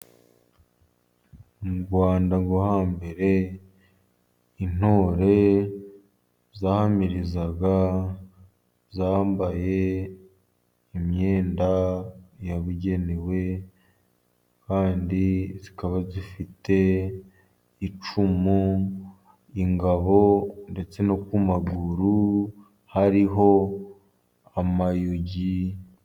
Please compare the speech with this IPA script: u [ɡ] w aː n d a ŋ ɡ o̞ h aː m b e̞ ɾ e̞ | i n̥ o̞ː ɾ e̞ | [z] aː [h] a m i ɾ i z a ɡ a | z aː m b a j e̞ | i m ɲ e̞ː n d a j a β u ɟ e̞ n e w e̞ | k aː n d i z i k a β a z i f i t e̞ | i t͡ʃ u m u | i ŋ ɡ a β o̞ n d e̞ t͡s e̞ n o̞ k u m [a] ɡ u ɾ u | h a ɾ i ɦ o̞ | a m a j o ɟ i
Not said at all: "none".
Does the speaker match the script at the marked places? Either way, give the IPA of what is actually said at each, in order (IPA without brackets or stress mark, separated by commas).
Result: ɡ, z, h, a